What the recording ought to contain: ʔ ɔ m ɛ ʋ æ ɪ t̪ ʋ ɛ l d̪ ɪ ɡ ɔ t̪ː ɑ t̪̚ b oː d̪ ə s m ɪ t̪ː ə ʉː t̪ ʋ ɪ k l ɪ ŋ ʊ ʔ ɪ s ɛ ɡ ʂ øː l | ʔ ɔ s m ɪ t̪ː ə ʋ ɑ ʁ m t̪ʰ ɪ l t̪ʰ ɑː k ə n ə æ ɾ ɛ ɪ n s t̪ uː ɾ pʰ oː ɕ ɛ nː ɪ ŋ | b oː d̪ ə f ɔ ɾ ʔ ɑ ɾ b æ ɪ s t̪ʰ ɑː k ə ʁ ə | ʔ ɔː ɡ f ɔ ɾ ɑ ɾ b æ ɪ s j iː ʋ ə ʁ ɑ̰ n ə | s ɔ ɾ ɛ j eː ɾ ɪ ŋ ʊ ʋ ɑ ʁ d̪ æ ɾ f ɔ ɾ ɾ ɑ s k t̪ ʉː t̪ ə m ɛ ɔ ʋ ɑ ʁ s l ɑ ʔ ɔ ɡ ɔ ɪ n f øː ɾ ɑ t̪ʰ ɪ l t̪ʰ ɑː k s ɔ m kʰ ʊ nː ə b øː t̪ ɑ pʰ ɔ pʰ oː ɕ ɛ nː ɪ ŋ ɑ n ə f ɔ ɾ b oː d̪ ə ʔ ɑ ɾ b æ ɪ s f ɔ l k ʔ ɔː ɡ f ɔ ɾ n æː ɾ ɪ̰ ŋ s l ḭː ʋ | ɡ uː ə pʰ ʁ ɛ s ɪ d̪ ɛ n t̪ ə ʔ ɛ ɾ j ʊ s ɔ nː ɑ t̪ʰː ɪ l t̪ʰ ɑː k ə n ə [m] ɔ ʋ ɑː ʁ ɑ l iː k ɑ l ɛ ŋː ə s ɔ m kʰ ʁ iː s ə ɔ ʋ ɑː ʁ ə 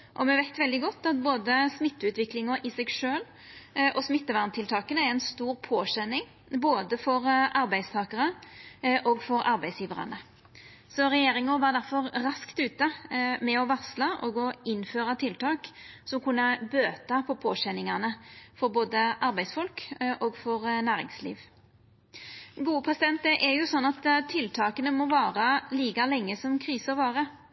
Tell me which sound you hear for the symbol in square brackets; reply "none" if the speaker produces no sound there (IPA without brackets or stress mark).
m